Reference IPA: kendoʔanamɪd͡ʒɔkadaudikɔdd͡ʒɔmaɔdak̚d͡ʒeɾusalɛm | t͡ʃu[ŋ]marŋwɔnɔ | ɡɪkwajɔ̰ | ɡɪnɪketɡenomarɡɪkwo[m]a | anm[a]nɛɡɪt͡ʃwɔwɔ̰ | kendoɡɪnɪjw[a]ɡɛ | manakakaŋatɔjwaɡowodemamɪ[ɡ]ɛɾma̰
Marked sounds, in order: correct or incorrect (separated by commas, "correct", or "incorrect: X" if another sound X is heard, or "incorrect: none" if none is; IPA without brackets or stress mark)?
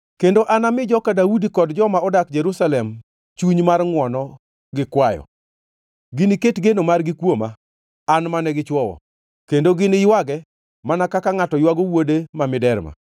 incorrect: ɲ, correct, correct, correct, incorrect: d